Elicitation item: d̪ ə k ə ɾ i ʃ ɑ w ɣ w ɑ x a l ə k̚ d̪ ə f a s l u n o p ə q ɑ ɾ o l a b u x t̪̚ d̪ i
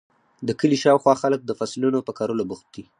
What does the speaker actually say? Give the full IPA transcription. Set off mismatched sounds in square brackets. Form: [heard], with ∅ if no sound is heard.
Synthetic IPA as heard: d̪ ə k ə [l] i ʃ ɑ w [x] w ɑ x a l ə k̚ d̪ ə f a s l u n o p ə [k] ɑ ɾ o l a b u x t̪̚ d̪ i